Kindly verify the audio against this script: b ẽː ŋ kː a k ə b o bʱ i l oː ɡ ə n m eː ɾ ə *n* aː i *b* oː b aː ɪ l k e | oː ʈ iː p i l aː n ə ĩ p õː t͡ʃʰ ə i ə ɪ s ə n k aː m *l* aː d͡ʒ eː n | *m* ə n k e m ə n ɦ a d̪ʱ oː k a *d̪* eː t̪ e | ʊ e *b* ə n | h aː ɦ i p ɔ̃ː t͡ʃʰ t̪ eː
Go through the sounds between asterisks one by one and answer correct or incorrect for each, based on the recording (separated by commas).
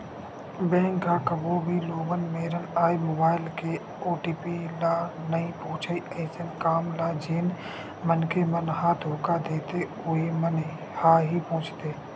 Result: correct, incorrect, correct, correct, correct, incorrect